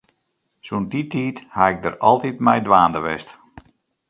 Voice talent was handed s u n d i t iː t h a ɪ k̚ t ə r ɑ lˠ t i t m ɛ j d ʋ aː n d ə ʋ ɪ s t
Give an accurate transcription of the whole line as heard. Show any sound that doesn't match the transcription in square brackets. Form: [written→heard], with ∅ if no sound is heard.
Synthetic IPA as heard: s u n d i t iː t h a ɪ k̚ [t→d] ə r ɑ lˠ t i t m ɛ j d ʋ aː n d ə ʋ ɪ s t